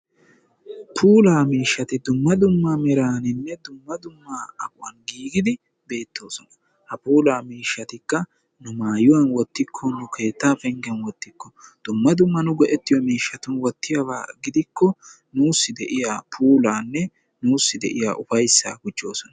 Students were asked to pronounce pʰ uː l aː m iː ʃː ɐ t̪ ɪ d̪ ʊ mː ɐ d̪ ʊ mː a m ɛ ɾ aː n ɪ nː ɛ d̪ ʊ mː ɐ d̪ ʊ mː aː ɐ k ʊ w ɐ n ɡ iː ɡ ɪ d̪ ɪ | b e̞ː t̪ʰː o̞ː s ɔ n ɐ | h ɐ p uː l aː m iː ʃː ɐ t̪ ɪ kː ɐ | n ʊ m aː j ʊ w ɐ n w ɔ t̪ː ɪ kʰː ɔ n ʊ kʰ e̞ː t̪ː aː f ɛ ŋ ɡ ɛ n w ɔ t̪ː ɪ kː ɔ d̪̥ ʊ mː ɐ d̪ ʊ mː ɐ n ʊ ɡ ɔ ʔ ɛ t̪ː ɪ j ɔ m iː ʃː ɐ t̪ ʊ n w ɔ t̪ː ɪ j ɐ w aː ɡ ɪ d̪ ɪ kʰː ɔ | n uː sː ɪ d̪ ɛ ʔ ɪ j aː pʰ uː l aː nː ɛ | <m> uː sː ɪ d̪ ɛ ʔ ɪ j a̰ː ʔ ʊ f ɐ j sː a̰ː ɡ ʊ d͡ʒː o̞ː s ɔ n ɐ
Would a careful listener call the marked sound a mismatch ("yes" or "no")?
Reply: yes